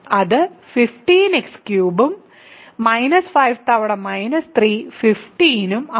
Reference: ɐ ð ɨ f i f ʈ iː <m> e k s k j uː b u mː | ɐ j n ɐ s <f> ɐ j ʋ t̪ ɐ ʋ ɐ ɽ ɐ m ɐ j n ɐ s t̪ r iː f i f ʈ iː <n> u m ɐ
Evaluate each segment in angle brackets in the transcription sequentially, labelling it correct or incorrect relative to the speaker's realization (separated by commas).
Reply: incorrect, correct, correct